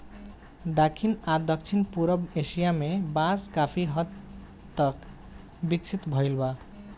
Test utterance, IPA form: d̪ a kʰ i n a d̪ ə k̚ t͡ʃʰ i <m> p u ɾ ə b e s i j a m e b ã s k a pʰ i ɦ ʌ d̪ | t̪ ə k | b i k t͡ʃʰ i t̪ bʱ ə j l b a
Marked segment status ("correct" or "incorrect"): incorrect